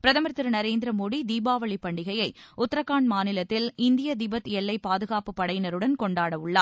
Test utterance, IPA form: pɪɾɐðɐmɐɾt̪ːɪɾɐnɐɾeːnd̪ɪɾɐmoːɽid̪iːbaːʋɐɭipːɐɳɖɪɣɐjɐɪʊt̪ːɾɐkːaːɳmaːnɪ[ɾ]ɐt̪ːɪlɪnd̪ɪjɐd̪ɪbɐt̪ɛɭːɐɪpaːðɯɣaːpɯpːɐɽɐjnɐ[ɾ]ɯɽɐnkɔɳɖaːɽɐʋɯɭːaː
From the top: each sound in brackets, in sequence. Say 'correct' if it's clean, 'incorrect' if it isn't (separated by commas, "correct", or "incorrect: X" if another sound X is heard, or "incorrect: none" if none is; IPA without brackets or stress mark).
incorrect: l, correct